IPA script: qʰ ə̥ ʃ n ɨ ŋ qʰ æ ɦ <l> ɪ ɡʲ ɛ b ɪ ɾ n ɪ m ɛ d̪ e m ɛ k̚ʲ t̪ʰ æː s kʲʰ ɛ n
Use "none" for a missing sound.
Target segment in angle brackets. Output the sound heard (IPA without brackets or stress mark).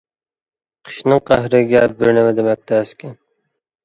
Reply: ɾ